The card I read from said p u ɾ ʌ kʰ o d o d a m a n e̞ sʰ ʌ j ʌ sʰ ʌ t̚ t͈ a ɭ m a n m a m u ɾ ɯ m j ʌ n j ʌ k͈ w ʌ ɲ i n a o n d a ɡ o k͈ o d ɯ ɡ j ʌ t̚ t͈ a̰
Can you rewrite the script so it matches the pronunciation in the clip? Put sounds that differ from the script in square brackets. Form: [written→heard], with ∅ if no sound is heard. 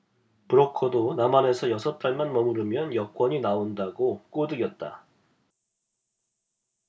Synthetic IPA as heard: p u ɾ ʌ kʰ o d o [d→n] a m a n e̞ sʰ ʌ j ʌ sʰ ʌ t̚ t͈ a ɭ m a n m [a→ʌ] m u ɾ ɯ m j ʌ n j ʌ k͈ w ʌ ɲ i n a o n d a ɡ o k͈ o d ɯ ɡ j ʌ t̚ t͈ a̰